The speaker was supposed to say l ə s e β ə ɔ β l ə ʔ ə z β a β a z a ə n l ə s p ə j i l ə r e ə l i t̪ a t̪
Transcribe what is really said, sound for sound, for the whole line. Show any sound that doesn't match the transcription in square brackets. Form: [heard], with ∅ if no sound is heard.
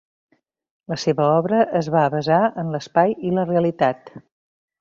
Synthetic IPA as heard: l ə s e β ə ɔ β [ɾ] ə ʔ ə z β a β [ə] z a ə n l ə s p [a] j i l ə r e ə l i t̪ a t̪

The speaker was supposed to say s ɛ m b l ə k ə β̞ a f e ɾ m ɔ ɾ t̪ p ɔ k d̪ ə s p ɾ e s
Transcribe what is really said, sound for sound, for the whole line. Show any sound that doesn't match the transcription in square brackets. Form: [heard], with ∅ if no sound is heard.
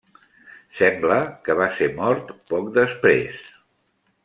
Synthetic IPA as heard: s ɛ m b l ə k ə β̞ a [s] e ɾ m ɔ ɾ t̪ p ɔ k d̪ ə s p ɾ e s

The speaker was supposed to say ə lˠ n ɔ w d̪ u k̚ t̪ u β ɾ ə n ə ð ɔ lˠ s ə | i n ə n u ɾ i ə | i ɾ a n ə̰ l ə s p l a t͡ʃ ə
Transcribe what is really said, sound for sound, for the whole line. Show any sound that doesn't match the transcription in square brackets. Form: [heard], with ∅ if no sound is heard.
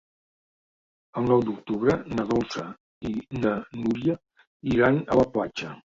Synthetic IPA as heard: ə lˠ n ɔ w d̪ u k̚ t̪ u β ɾ ə n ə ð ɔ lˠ s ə | i n ə n u ɾ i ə | i ɾ a n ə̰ l ə [∅] p l a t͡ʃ ə

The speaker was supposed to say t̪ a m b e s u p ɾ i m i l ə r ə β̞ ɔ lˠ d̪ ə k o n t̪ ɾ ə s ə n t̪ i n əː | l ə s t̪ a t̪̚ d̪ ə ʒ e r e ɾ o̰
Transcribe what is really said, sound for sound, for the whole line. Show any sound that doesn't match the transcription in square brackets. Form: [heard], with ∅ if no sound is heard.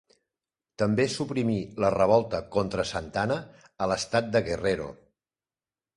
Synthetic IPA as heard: t̪ [ə] m b e s u p ɾ i m i l ə r ə β̞ ɔ lˠ [t̪] ə k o n t̪ ɾ ə s ə n t̪ [a] n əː | l ə s t̪ a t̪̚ d̪ ə [ɣ] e r e ɾ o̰

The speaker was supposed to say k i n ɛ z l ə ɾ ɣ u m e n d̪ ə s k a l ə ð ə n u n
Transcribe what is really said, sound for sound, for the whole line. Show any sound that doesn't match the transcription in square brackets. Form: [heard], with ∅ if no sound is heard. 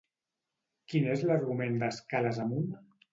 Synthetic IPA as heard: k i n [e] z l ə ɾ ɣ u m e n d̪ ə s k a l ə [z] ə [m] u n

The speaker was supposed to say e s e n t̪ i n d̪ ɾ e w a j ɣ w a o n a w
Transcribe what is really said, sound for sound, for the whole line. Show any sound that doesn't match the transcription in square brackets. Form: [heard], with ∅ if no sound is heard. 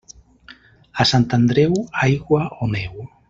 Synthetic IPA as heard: [a] s [a] n t̪ [a] n d̪ ɾ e w a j ɣ w a o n [e] w

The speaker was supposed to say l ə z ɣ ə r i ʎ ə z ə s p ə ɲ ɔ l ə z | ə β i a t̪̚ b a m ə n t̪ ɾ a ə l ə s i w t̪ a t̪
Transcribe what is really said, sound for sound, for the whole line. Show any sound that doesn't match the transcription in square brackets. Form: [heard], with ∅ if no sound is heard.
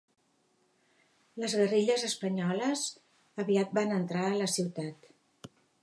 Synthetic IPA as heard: l ə z ɣ ə r i ʎ ə z ə s p ə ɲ ɔ l ə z | ə β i a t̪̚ b a [n] ə n t̪ ɾ a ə l ə s i w t̪ a t̪

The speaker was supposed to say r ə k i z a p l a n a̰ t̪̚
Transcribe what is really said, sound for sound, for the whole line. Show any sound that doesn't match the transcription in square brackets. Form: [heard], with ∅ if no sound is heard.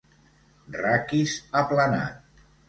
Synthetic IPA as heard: r [a] k i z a p l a n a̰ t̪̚

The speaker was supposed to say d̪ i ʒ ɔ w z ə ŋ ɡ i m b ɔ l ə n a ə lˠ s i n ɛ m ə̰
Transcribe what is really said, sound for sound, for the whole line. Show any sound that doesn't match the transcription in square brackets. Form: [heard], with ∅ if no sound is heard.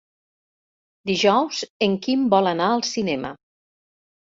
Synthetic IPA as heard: d̪ i ʒ ɔ w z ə ŋ [k] i m b ɔ l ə n a ə lˠ s i n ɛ m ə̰

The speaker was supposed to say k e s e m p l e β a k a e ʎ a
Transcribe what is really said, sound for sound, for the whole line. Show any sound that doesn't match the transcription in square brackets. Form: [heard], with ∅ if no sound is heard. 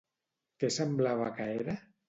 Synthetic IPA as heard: k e s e m [b] l [a] β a k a e [ɾ] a

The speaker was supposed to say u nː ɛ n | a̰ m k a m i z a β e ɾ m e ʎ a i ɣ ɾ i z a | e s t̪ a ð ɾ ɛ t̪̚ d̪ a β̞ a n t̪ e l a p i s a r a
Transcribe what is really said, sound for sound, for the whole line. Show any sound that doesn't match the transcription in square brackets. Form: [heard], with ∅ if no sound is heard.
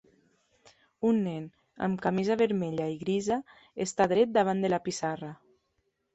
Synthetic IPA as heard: u nː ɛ n | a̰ m k a m i z a β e ɾ m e ʎ a i ɣ ɾ i z a | e s t̪ a ð ɾ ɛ t̪̚ d̪ a β̞ a n [d̪] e l a p i s a r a

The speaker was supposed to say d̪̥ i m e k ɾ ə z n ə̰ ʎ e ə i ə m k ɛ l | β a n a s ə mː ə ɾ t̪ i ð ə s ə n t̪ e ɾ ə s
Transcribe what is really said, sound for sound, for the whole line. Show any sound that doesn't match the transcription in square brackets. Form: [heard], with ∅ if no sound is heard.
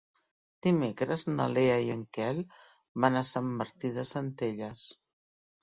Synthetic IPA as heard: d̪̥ i m e k ɾ ə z n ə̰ [l] e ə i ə [ŋ] k ɛ l | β a n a s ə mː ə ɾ t̪ i ð ə s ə n t̪ e [ʎ] ə s

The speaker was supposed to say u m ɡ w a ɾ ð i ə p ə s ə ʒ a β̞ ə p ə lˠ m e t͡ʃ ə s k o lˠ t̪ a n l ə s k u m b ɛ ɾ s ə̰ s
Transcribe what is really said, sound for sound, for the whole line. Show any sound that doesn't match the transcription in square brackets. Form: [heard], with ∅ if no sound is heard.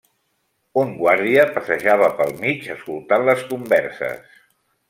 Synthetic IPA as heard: u [ŋ] ɡ w a ɾ ð i ə p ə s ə ʒ a β̞ ə p ə lˠ m [i] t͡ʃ ə s k [u] lˠ t̪ a n l ə s k u m b ɛ ɾ s ə̰ s

